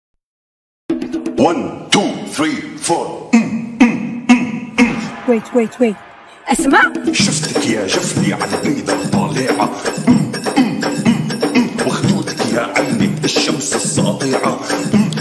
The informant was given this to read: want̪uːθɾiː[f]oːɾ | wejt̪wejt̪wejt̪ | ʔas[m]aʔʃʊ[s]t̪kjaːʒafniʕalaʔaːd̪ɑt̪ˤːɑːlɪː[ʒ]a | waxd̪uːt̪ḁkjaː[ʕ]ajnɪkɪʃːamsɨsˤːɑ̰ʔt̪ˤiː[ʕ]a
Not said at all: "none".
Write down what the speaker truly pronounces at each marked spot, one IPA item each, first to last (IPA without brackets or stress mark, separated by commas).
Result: f, m, f, ʕ, ʕ, ʕ